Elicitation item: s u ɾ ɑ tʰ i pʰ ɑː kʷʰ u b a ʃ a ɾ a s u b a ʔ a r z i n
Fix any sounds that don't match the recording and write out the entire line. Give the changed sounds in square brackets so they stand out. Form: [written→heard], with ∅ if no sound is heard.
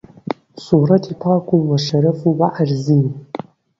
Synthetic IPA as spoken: s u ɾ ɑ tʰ i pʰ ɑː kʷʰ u [b→w] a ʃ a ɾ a [s→f] u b a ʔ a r z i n